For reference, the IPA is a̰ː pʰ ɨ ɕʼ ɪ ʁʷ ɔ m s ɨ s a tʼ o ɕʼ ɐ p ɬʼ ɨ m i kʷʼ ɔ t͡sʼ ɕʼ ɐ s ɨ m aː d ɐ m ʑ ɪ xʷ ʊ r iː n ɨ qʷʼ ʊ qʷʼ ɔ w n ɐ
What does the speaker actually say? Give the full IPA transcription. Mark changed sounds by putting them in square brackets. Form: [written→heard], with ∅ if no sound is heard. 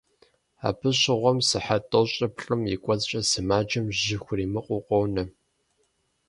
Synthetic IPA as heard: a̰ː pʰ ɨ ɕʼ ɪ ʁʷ ɔ m s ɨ [s→ħ] a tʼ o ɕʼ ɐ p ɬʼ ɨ m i kʷʼ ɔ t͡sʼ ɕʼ ɐ s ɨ m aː [d→d͡ʒ] ɐ m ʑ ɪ xʷ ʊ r iː [n→m] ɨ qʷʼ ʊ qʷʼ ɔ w n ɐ